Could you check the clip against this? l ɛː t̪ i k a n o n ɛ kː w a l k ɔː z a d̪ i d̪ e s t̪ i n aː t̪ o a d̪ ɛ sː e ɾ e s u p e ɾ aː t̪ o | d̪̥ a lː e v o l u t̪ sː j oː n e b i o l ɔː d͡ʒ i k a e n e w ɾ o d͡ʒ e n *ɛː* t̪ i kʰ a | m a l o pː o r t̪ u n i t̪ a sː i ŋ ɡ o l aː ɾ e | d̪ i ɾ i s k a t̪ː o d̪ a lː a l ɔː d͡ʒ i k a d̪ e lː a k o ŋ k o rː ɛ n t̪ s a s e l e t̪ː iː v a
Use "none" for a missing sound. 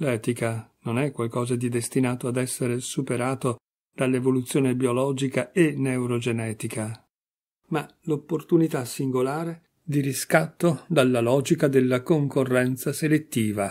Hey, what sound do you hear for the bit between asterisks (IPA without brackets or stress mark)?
ɛː